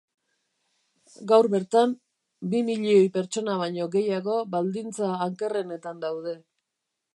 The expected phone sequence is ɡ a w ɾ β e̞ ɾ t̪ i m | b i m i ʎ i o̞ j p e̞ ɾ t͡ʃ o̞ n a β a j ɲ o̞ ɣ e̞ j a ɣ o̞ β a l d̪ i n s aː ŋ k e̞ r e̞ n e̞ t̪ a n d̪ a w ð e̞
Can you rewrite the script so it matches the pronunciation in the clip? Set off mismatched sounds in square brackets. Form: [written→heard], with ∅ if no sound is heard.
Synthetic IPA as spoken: ɡ a w ɾ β e̞ ɾ t̪ [i→a] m | b i m i ʎ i o̞ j p e̞ ɾ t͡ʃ o̞ n a β a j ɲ o̞ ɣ e̞ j a ɣ o̞ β a l d̪ i n [s→t͡s] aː ŋ k e̞ r e̞ n e̞ t̪ a n d̪ a w ð e̞